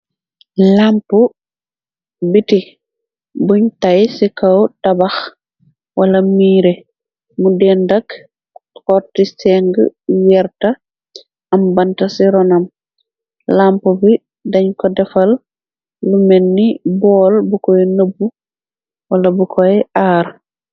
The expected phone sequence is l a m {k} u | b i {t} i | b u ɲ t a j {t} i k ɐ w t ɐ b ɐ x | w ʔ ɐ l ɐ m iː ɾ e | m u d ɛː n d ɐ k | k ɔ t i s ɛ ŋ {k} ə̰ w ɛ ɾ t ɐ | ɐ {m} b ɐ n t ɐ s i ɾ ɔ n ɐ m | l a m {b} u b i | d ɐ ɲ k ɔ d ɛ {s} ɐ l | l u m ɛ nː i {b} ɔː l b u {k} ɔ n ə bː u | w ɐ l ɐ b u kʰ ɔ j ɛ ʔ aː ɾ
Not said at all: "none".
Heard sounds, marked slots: p, t, s, ɡ, m, p, f, b, k

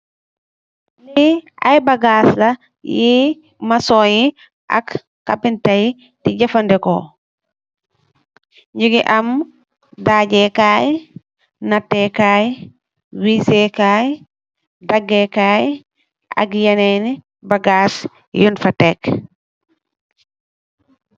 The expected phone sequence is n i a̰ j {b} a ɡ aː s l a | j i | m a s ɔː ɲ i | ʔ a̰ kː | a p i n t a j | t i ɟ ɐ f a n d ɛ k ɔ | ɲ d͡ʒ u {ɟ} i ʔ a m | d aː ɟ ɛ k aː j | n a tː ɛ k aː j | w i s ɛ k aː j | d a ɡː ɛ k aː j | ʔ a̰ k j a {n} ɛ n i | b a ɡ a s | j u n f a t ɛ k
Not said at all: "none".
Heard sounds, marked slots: b, ɡ, n

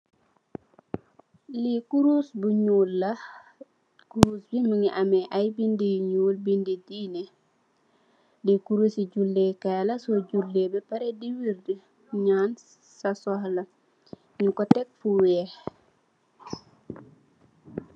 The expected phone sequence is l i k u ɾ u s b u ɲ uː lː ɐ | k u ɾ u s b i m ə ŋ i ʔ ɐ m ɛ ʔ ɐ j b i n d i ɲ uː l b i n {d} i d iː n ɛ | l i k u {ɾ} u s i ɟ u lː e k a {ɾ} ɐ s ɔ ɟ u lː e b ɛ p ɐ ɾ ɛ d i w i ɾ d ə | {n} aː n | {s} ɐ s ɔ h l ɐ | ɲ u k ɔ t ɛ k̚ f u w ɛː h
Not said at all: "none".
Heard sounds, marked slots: d, ɾ, l, ɲ, s

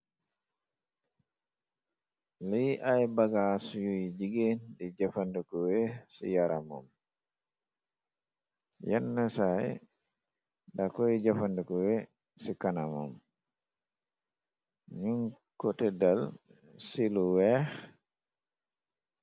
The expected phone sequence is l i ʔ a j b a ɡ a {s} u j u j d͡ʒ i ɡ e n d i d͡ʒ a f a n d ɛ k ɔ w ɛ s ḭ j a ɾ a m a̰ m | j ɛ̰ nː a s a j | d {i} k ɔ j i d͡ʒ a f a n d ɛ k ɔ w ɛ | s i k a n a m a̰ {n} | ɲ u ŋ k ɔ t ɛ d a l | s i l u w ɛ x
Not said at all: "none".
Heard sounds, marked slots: s, a, m

